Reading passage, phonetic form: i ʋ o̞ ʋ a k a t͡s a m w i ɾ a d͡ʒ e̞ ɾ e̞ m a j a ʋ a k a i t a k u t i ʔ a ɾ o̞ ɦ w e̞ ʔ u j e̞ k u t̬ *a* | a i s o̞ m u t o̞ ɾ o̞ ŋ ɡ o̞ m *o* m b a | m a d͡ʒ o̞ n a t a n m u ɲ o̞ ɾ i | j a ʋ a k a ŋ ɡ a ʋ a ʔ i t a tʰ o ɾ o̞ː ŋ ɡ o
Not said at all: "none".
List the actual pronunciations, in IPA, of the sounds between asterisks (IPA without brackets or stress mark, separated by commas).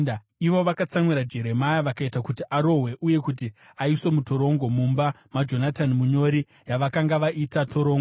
i, u